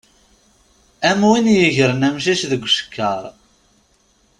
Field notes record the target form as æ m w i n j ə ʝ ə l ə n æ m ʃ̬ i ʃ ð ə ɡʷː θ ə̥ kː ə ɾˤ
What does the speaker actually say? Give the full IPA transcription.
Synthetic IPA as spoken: æ m w i n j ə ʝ ə ɾ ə n æ m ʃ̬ i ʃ ð ə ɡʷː ʃ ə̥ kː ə ɾˤ